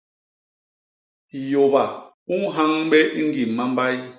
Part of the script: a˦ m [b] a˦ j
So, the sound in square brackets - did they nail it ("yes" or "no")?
yes